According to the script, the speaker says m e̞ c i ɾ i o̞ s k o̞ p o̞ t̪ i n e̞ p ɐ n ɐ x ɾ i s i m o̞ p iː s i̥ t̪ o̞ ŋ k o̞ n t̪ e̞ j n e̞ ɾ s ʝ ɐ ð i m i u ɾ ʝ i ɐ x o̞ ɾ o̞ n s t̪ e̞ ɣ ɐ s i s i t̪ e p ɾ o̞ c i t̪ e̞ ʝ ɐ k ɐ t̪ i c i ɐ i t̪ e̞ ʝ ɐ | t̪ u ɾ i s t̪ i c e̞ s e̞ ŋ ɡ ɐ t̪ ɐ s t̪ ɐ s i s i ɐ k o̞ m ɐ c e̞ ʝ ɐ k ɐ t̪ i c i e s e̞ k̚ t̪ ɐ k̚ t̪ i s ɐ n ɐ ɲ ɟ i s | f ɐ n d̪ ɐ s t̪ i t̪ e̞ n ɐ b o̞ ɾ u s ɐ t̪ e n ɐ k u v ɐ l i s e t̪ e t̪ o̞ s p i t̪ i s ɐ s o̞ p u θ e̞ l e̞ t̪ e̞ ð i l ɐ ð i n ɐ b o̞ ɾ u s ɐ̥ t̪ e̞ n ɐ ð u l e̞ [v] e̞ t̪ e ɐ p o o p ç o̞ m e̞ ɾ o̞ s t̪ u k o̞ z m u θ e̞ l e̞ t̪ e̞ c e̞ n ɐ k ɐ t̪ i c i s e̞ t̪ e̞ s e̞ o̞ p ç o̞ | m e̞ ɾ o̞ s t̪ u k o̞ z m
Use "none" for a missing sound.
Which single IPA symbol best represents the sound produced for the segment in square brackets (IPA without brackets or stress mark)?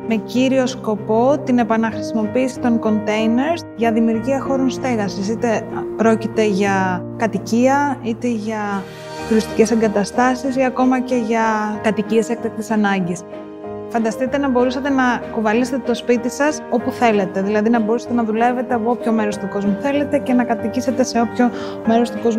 v